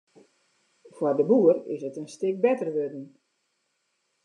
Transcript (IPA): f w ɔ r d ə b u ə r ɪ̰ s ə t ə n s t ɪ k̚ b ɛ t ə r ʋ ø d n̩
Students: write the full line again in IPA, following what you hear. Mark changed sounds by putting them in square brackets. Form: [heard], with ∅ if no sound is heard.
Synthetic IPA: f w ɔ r d ə b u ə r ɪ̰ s ə t ə n s t ɪ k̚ b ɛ t ə r ʋ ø d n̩